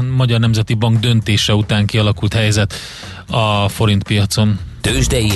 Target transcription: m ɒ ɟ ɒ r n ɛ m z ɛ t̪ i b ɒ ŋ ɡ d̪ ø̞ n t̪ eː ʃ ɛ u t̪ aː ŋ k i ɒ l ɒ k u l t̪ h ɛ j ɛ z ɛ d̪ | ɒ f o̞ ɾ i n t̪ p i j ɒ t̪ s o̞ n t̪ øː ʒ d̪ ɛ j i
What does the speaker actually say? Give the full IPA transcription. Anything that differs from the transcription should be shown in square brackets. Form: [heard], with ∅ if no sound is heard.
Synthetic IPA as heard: m ɒ ɟ ɒ r n ɛ m z ɛ t̪ i b ɒ ŋ ɡ d̪ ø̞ n t̪ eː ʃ ɛ u t̪ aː ŋ k i ɒ l ɒ k u l t̪ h ɛ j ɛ z ɛ [t̪] | ɒ f o̞ ɾ i n t̪ p i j ɒ t̪ s o̞ n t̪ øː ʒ d̪ ɛ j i